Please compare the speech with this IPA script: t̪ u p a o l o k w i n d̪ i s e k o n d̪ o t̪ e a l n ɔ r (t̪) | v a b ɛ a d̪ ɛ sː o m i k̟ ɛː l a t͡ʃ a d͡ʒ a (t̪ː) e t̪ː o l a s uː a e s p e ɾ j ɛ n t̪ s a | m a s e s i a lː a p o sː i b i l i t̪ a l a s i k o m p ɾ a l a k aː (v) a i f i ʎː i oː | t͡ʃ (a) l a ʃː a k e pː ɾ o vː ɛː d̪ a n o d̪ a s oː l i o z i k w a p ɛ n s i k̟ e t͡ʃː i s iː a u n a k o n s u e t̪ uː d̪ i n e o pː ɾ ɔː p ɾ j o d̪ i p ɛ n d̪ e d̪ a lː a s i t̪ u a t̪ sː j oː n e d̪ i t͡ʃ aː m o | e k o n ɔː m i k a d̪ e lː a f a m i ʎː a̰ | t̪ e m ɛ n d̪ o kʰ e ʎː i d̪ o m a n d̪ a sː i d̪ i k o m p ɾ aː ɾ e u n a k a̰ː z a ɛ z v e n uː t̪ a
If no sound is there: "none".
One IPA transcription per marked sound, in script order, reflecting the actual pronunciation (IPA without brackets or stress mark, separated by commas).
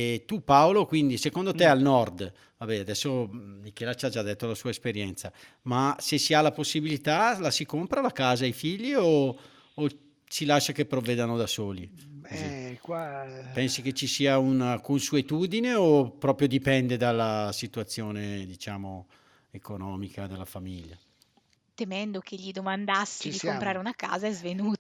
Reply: d̪, d̪ː, z, i